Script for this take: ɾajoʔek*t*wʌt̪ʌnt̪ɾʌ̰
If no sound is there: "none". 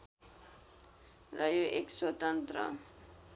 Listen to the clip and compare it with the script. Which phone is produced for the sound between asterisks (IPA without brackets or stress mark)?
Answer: s